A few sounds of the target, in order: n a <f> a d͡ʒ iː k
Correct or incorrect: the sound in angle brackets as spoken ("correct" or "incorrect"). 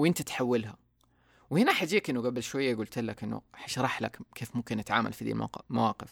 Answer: incorrect